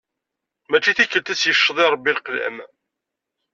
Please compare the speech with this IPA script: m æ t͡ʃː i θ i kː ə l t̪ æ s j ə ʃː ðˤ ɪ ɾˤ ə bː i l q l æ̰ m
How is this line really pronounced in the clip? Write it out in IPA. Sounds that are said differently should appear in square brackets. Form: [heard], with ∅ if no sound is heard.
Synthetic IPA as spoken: m æ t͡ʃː i θ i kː ə l t̪ æ s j ə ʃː ðˤ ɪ ɾˤ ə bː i l q l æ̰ m